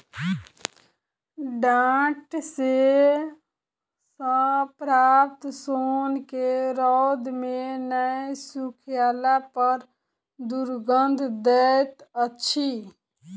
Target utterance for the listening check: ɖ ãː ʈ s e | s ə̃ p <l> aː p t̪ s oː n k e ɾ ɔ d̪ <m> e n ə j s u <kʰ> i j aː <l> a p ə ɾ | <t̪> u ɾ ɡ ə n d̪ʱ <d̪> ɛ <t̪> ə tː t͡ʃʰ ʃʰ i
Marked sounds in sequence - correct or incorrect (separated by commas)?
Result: incorrect, correct, correct, correct, incorrect, correct, correct